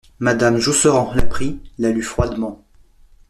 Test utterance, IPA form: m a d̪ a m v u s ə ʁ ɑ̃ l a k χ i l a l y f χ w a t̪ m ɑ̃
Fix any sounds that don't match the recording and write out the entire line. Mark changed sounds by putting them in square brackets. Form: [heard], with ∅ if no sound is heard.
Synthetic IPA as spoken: m a d̪ a m [ʒ] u s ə ʁ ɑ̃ l a [p] χ i l a l y f χ w a [d̪] m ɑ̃

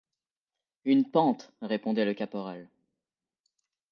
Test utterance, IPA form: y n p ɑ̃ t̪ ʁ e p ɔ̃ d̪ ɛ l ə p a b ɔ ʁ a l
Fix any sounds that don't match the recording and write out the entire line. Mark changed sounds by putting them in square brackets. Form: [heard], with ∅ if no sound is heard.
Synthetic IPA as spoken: y n p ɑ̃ t̪ ʁ e p ɔ̃ d̪ ɛ l ə [k] a [p] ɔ ʁ a l

